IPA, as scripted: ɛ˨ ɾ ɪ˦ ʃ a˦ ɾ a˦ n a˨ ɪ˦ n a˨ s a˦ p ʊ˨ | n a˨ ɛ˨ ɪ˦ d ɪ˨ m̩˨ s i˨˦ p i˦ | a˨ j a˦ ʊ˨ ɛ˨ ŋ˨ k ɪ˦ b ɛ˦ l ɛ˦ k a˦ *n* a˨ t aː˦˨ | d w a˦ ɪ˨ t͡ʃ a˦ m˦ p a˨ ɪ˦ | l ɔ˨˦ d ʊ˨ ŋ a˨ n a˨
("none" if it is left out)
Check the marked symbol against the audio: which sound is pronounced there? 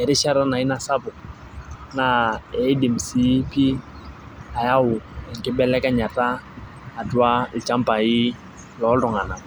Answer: ɲ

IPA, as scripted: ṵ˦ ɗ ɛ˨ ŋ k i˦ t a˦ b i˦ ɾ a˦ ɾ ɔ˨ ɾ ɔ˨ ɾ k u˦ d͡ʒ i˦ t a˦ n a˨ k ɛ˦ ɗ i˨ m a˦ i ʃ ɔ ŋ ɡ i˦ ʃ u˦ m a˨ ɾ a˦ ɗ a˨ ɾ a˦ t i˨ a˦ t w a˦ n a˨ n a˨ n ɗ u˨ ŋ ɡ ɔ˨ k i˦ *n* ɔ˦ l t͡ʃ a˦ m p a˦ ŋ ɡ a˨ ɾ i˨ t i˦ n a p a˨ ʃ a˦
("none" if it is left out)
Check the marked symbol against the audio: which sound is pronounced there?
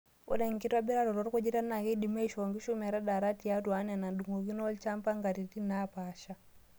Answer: n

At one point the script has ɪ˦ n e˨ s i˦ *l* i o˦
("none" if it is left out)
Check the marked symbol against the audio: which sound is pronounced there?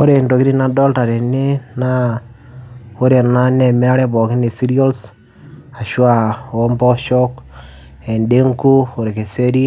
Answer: ɾ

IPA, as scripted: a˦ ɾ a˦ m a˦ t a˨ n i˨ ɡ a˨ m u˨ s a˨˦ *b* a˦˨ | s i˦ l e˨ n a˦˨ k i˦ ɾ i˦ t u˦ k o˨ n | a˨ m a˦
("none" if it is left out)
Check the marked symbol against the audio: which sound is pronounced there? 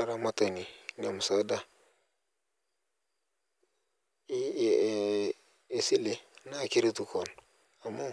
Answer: d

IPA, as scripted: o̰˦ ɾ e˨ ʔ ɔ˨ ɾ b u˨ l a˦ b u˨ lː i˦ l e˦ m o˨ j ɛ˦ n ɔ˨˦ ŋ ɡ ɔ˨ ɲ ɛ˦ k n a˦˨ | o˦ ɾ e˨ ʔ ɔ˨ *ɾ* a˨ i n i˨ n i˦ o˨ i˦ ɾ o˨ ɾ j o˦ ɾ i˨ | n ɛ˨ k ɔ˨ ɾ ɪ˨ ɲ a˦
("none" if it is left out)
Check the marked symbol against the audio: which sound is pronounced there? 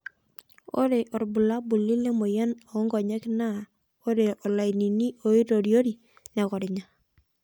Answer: l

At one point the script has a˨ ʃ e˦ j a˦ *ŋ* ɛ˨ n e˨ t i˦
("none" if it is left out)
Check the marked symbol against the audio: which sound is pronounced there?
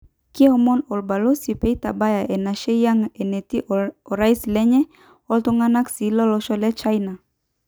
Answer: ŋ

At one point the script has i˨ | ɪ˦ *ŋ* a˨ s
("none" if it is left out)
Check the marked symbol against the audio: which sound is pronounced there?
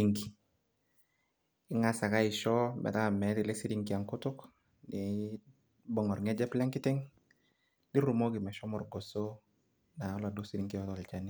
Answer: ŋ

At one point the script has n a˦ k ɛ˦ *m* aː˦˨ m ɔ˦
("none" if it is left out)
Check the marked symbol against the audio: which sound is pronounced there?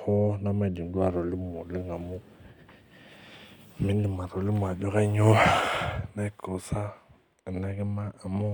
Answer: m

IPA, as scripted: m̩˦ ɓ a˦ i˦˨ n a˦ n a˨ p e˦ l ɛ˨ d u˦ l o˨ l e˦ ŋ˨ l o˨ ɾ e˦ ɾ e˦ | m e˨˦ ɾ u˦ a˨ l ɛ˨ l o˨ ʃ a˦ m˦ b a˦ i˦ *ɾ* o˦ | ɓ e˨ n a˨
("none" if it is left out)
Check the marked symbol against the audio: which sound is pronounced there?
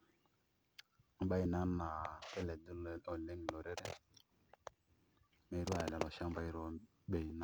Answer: ɾ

